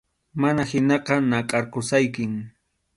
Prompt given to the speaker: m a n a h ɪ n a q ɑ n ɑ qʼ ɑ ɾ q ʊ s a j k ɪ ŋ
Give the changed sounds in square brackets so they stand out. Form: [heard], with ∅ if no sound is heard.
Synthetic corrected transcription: m a n a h ɪ n [ɑ] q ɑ n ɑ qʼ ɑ ɾ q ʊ s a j k ɪ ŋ